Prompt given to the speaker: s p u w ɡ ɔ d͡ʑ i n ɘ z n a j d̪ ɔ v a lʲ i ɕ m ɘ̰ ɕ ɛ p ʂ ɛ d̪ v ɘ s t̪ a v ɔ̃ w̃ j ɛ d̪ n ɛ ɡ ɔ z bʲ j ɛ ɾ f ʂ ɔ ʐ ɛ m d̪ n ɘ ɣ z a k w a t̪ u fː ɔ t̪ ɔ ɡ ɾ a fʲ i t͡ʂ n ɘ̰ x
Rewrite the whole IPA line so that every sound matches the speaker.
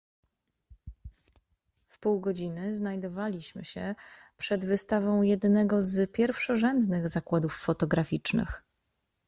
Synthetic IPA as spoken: f p u w ɡ ɔ d͡ʑ i n ɘ z n a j d̪ ɔ v a lʲ i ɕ m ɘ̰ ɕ ɛ p ʂ ɛ d̪ v ɘ s t̪ a v ɔ̃ w̃ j ɛ d̪ n ɛ ɡ ɔ z pʲ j ɛ ɾ f ʂ ɔ ʐ ɛ n d̪ n ɘ ɣ z a k w a d̪ u fː ɔ t̪ ɔ ɡ ɾ a fʲ i t͡ʂ n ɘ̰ x